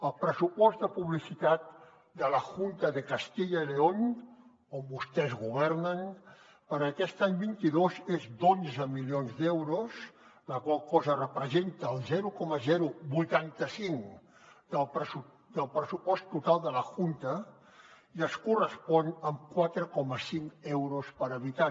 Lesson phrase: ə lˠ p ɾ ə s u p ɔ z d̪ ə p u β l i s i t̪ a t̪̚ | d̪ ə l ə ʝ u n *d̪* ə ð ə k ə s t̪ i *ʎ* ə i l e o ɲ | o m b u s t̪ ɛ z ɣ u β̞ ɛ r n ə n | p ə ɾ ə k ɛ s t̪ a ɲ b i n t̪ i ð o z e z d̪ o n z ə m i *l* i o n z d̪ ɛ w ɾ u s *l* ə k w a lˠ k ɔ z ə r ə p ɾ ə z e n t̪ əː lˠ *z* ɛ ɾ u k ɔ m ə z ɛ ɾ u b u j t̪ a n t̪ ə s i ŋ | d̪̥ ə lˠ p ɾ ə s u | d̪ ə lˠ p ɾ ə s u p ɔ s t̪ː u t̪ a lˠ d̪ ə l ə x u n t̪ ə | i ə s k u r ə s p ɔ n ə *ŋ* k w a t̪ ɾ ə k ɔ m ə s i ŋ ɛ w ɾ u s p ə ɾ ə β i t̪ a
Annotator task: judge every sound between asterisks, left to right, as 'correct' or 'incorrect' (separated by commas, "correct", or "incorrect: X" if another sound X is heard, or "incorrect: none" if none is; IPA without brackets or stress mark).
incorrect: t̪, correct, correct, correct, correct, incorrect: m